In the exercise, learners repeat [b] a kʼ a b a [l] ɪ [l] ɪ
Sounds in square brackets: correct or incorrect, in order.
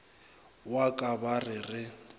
incorrect: w, incorrect: r, incorrect: r

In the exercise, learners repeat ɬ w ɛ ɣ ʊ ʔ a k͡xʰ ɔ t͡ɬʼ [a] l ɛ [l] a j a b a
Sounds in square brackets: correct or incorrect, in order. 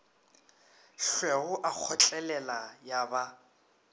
incorrect: ɛ, correct

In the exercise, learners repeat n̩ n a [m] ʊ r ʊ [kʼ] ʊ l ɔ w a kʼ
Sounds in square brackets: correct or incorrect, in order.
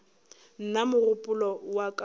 correct, incorrect: pʼ

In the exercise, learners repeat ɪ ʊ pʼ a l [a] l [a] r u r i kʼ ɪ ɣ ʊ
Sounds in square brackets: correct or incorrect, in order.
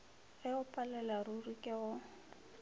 incorrect: ɛ, correct

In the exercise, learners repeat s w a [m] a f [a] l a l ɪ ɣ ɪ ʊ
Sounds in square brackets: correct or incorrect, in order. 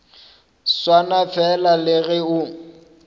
incorrect: n, incorrect: ɛ

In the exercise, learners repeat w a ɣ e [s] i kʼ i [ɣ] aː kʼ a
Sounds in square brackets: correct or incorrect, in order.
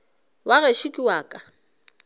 incorrect: ʃ, incorrect: w

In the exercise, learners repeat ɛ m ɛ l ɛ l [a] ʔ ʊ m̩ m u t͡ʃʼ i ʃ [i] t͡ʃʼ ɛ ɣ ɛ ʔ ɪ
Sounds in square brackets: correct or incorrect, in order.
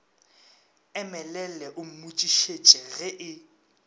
incorrect: ɛ, incorrect: e

